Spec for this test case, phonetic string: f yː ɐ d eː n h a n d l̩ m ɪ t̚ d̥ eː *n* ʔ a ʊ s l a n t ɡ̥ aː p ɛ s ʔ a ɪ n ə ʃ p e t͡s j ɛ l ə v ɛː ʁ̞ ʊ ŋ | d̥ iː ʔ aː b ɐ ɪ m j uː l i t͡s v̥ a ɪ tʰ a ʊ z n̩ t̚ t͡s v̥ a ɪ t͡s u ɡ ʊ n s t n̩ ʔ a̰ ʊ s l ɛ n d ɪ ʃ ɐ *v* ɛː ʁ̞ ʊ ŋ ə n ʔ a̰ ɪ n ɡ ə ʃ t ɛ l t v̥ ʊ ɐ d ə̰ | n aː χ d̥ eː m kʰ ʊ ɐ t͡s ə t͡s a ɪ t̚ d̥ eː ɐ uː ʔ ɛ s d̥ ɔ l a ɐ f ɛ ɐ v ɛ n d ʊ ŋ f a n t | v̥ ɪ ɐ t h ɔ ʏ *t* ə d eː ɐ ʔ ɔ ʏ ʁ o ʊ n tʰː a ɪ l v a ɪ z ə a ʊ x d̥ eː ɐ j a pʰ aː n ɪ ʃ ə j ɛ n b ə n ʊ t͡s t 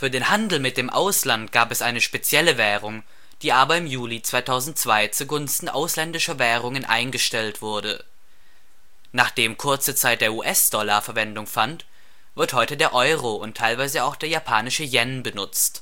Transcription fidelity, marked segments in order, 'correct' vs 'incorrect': incorrect, correct, correct

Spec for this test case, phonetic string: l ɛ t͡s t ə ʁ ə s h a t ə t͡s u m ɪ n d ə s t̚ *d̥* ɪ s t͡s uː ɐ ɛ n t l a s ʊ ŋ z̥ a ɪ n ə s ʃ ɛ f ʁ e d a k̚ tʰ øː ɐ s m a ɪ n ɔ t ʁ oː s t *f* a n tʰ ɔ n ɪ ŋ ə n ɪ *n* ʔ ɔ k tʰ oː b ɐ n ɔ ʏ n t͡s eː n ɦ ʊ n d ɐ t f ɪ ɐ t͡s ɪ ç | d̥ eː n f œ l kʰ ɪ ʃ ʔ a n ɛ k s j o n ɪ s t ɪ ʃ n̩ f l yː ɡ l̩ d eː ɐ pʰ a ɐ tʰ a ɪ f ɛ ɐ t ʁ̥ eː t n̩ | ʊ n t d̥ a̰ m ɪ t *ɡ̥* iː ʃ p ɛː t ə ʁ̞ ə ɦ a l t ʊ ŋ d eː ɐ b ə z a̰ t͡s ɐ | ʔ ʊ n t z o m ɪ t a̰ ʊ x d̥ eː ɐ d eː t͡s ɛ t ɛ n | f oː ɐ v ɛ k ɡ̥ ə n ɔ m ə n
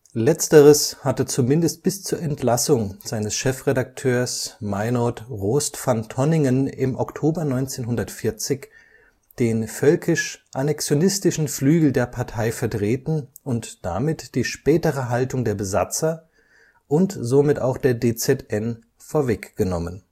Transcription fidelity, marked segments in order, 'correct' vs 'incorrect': incorrect, correct, incorrect, incorrect

